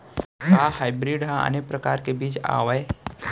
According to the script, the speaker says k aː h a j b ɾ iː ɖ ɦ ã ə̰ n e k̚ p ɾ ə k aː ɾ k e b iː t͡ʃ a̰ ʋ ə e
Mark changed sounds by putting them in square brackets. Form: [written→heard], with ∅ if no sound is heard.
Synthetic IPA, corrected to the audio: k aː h a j b ɾ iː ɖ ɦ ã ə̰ n e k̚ p ɾ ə k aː ɾ k e b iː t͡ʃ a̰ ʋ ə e